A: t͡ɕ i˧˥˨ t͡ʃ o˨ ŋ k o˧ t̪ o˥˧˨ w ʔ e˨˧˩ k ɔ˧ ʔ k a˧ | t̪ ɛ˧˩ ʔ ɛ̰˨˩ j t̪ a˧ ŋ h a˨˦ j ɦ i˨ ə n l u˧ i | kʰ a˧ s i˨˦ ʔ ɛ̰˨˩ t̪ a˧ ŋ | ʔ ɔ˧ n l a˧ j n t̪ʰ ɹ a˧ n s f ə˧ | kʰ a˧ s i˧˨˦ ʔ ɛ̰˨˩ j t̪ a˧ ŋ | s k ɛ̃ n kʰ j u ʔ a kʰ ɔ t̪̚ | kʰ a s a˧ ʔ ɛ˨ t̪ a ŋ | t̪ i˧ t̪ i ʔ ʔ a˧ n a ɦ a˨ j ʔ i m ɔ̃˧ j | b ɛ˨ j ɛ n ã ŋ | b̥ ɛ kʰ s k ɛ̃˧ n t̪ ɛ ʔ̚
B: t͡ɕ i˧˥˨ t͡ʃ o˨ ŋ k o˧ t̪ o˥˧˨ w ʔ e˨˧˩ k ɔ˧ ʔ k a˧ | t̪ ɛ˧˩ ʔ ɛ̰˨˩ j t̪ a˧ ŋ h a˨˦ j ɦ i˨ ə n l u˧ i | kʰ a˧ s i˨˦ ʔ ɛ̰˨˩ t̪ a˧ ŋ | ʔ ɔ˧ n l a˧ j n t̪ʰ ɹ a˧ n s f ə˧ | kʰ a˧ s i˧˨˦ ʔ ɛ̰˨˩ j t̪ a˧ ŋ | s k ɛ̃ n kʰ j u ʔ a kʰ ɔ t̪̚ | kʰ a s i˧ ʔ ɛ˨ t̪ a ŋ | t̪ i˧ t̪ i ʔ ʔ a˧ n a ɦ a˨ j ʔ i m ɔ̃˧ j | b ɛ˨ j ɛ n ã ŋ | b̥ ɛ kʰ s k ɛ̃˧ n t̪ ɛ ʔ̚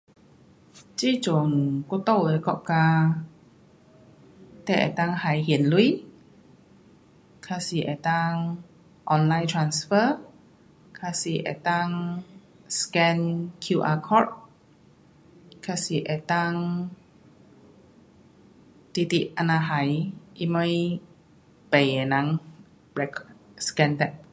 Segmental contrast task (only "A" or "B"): B